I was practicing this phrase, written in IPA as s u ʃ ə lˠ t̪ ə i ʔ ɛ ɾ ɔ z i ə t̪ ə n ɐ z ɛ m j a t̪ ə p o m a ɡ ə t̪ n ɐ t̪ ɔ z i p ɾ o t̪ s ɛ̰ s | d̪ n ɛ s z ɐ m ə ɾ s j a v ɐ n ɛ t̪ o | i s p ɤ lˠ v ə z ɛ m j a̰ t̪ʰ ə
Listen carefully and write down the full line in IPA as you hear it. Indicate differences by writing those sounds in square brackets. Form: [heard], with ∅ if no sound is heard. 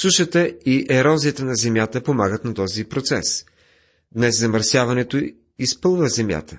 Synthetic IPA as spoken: s u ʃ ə [∅] t̪ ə i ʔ ɛ ɾ ɔ z i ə t̪ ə n ɐ z ɛ m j a t̪ ə p o m a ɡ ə t̪ n ɐ t̪ ɔ z i p ɾ o t̪ s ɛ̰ s | d̪ n ɛ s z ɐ m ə ɾ s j a v ɐ n ɛ t̪ o | i s p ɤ lˠ v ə z ɛ m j a̰ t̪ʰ ə